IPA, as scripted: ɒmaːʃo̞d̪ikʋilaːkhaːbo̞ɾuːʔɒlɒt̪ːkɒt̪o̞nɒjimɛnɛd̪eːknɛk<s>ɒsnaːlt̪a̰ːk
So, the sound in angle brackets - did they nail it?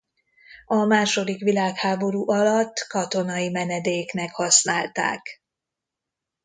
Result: no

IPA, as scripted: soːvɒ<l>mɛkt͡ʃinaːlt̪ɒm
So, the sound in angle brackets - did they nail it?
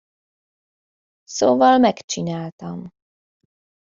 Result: yes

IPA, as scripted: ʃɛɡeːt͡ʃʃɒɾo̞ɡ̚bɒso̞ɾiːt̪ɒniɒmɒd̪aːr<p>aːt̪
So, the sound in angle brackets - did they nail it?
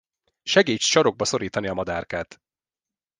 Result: no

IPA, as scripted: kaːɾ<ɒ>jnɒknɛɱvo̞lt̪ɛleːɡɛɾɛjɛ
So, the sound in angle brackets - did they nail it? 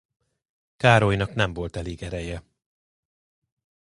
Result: no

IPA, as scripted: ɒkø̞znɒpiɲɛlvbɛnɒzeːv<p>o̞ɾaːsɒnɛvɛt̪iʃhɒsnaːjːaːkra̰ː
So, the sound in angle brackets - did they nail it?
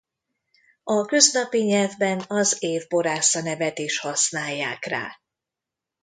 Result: no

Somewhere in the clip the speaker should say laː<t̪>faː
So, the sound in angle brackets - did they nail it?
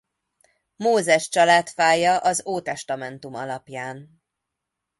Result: yes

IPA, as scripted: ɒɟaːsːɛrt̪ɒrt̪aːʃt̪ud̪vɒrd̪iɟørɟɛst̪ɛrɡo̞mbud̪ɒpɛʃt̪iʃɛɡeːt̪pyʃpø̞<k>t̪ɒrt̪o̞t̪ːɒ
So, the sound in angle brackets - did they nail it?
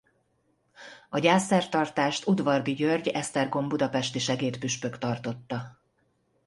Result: yes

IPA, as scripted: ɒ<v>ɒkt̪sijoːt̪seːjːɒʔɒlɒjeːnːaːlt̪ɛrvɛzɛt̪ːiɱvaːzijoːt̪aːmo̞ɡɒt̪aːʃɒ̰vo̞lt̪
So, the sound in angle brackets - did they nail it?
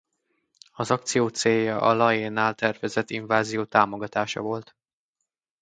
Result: no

